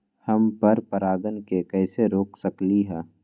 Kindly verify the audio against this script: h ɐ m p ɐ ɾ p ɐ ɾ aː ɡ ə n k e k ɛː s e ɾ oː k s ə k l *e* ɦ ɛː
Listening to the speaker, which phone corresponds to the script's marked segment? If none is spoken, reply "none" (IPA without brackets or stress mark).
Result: i